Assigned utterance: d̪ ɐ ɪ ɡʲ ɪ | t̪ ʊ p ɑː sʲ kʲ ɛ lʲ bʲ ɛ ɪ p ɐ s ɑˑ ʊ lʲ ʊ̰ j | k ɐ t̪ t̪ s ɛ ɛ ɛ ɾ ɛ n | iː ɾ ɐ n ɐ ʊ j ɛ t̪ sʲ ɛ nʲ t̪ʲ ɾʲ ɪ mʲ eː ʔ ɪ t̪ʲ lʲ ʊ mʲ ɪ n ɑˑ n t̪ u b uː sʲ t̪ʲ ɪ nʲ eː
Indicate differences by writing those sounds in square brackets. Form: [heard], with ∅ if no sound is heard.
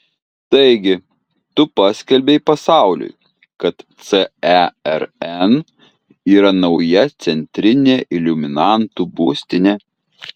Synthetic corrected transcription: [t̪] ɐ ɪ ɡʲ ɪ | t̪ ʊ p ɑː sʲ kʲ ɛ lʲ bʲ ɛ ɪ p ɐ s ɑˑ ʊ lʲ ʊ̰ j | k ɐ t̪ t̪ s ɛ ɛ ɛ ɾ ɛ n | iː ɾ ɐ n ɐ ʊ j ɛ t̪ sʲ ɛ nʲ t̪ʲ ɾʲ ɪ [nʲ] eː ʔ ɪ [∅] lʲ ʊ mʲ ɪ n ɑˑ n t̪ u b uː sʲ t̪ʲ ɪ nʲ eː